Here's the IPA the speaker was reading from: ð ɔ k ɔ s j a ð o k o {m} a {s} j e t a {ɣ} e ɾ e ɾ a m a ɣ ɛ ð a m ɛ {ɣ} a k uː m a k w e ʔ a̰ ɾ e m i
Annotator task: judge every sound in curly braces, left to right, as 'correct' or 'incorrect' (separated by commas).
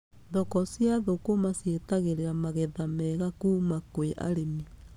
correct, correct, correct, correct